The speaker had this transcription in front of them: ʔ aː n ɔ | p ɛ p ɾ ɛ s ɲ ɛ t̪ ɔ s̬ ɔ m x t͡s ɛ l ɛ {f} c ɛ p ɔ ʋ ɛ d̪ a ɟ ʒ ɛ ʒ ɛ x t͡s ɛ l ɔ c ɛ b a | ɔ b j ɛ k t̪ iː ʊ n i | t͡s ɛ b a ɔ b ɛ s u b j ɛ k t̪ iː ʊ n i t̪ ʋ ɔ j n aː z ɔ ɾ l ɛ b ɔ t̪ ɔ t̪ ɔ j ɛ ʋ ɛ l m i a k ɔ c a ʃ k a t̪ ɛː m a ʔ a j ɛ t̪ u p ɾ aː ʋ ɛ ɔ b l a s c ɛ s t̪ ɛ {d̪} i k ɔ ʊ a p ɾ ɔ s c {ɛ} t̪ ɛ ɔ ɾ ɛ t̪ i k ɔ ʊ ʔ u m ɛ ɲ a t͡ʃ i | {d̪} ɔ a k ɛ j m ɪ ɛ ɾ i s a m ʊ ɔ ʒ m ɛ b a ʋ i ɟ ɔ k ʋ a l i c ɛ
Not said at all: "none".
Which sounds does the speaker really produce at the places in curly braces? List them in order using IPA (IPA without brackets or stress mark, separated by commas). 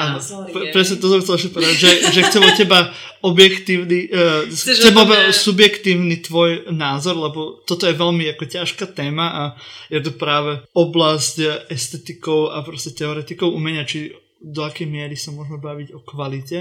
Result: ʃ, t̪, ɛ, d̪